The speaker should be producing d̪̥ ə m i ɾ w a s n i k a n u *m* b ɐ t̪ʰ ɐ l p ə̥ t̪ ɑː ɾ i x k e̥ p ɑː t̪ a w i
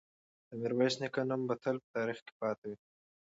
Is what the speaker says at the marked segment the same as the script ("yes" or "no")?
yes